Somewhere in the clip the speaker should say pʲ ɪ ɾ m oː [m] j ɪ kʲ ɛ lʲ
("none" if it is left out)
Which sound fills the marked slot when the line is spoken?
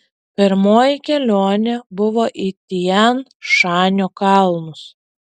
none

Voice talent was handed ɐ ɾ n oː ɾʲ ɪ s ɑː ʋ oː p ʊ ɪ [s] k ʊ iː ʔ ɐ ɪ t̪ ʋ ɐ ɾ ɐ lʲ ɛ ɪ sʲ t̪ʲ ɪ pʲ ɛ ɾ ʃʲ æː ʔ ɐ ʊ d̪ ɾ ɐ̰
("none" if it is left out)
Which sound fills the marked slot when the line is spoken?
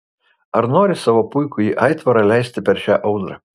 none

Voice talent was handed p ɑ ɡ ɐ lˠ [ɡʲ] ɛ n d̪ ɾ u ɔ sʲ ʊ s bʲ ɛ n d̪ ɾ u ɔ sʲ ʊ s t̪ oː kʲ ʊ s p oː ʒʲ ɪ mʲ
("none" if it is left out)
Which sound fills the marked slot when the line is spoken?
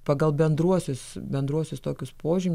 bʲ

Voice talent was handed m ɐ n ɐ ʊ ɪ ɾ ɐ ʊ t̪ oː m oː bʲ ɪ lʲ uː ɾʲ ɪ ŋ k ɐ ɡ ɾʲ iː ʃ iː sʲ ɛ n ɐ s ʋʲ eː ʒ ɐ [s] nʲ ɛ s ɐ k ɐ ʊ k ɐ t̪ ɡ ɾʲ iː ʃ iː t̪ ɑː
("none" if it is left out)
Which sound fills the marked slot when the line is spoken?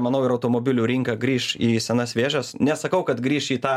s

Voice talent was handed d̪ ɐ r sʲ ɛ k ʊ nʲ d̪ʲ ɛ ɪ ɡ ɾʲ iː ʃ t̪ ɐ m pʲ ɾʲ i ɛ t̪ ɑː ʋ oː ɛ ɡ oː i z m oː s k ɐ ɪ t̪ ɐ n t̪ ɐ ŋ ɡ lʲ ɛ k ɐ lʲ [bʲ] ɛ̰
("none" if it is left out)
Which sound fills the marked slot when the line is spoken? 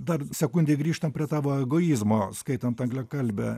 bʲ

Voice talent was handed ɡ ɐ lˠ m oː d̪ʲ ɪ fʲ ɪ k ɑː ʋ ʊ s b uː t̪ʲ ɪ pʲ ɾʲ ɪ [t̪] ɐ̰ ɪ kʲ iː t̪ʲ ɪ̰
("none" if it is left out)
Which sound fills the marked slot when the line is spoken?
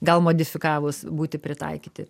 t̪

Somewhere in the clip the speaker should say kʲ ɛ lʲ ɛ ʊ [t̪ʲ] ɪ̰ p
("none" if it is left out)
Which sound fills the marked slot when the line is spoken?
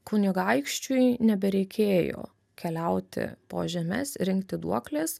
t̪ʲ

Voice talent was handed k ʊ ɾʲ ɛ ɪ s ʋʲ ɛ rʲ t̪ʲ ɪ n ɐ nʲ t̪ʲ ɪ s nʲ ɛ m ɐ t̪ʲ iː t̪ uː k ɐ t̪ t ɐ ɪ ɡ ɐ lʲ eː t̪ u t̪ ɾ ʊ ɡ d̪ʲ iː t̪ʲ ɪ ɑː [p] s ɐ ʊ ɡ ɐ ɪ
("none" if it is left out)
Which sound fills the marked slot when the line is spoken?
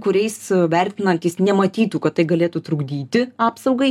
p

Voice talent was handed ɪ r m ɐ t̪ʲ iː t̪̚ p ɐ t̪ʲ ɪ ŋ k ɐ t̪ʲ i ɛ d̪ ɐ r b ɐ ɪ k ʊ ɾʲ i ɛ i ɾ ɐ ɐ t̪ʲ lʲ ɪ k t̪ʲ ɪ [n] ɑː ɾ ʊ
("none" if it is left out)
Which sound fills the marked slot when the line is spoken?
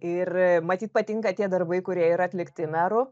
n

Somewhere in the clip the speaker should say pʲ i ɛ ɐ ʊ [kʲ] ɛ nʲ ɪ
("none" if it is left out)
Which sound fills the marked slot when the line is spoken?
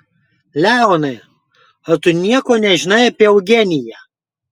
ɡʲ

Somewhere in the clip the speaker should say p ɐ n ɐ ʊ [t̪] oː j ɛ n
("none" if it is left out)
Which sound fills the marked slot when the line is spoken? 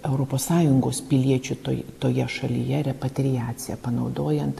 d̪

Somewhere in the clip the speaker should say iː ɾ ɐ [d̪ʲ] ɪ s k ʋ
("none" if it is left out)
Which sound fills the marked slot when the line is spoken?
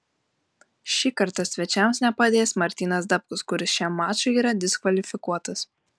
d̪ʲ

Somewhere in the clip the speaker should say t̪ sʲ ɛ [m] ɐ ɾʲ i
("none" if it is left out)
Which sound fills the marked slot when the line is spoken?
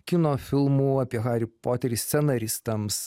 n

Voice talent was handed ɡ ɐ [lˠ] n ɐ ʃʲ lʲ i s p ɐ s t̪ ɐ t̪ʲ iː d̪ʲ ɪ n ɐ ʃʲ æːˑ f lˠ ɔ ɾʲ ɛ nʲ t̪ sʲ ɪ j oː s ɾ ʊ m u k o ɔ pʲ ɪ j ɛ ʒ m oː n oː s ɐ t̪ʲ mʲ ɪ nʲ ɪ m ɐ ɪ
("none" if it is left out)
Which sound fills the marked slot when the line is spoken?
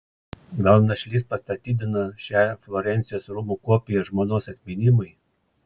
lˠ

